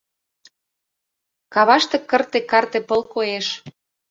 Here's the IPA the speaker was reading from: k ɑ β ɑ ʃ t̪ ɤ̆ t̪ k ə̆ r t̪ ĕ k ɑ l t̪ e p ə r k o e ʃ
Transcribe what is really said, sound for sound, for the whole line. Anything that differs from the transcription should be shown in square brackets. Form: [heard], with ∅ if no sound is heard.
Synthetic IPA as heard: k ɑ β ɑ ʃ t̪ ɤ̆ [∅] k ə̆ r t̪ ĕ k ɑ [r] t̪ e p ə [l] k o e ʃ